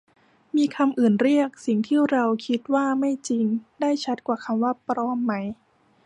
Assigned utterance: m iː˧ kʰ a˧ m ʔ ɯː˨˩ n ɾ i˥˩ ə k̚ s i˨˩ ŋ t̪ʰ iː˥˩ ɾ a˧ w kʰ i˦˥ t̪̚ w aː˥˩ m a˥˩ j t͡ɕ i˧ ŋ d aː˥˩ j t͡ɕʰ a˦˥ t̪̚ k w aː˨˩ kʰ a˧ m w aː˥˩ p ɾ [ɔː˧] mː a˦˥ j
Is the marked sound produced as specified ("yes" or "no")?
no